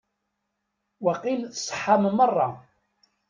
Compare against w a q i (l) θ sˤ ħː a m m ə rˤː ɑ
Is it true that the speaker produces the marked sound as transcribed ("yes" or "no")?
yes